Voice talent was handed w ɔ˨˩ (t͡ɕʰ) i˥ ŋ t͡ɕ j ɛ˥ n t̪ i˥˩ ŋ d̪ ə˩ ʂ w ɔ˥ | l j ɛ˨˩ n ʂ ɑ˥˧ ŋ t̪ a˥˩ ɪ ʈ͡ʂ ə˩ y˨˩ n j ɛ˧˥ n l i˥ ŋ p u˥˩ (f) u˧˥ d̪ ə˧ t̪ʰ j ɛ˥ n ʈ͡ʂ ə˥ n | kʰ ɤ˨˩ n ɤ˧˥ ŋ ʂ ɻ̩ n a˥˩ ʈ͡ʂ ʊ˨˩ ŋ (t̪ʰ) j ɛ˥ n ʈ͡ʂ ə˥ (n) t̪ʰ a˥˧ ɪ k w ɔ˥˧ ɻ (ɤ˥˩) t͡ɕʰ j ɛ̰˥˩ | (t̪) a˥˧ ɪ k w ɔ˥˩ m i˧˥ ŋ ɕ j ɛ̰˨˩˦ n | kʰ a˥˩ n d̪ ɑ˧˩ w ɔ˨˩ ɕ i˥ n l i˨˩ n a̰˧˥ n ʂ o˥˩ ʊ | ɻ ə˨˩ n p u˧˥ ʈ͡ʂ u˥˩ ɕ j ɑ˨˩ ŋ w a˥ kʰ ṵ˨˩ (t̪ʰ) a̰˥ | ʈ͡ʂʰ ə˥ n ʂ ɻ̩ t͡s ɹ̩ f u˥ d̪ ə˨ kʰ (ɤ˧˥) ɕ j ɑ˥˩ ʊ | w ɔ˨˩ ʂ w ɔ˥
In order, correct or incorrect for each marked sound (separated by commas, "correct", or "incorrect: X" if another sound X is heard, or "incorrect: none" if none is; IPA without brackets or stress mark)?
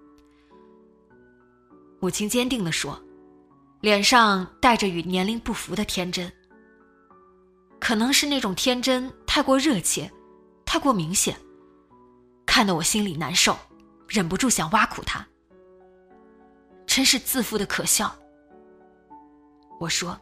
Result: correct, correct, correct, correct, correct, incorrect: t̪ʰ, correct, incorrect: ɤ˨˩